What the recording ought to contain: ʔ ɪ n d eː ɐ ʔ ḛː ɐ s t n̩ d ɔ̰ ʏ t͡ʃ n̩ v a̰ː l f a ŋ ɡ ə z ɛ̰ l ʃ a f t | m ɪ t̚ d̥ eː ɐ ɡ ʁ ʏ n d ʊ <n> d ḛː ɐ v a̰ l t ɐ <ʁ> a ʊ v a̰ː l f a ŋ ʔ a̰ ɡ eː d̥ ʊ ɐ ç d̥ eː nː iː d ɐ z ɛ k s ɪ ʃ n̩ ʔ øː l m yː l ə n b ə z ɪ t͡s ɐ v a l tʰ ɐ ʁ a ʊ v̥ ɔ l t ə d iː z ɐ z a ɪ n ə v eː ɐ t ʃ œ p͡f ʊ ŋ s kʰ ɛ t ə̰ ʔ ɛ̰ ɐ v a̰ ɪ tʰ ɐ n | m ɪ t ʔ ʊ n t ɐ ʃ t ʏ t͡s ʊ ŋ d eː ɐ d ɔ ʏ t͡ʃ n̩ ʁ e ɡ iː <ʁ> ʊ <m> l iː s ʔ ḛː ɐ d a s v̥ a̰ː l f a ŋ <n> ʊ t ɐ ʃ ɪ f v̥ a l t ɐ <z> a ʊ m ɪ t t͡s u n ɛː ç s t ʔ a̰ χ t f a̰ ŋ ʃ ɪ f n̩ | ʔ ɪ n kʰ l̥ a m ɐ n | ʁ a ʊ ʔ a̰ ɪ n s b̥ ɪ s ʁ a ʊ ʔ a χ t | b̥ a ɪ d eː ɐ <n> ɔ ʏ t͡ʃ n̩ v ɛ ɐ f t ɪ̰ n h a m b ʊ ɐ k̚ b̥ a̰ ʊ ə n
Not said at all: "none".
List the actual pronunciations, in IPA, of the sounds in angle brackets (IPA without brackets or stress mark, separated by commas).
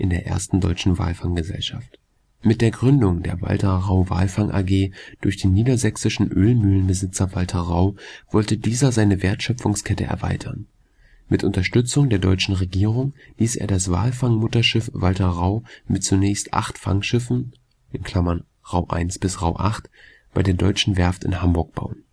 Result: ŋ, ʁ, ʁ, ŋ, m, ʁ, d